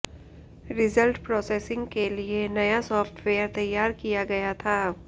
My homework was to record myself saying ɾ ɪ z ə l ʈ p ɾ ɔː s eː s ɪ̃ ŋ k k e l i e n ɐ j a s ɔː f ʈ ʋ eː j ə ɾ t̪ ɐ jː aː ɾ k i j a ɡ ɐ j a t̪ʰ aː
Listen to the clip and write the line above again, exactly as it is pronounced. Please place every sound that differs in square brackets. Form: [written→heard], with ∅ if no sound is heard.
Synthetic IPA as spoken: ɾ ɪ z ə l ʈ p ɾ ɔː s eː s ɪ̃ ŋ [k→ɡ] k e l i e n ɐ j a s ɔː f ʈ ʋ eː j ə ɾ t̪ ɐ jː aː ɾ k i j a ɡ ɐ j a t̪ʰ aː